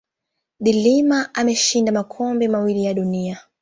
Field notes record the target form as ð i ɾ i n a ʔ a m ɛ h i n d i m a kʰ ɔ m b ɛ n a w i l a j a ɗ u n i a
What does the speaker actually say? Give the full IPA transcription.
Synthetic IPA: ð i l i m a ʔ a m ɛ ʃ i n d a m a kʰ ɔ m b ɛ m a w i l i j a ɗ u n i a

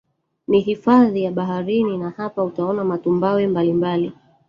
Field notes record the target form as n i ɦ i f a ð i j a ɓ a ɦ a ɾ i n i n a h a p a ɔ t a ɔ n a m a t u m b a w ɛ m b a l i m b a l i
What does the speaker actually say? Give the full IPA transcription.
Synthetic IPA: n i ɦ i f a ð i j a ɓ a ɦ a ɾ i n i n a h a p a u t a ɔ n a m a t u m b a w ɛ m b a l i m b a l i

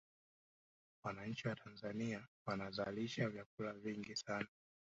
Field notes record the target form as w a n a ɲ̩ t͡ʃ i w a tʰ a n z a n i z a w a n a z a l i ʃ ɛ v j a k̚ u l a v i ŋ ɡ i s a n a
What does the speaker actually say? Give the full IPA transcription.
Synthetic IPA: w a n a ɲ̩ t͡ʃ i w a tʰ a n z a n i a w a n a z a l i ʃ a v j a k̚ u l a v i ŋ ɡ i s a n a

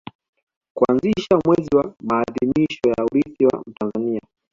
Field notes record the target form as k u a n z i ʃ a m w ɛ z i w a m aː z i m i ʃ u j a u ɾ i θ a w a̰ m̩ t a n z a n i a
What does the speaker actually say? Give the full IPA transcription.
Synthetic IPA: k u a n z i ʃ a m w ɛ z i w a m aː ð i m i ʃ ɔ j a u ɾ i θ i w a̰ m̩ t a n z a n i a

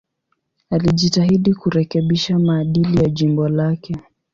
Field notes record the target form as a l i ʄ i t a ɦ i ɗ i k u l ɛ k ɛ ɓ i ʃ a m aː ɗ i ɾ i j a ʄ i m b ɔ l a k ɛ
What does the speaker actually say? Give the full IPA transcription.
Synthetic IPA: a l i ʄ i t a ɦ i ɗ i k u ɾ ɛ k ɛ ɓ i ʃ a m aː ɗ i l i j a ʄ i m b ɔ l a k ɛ

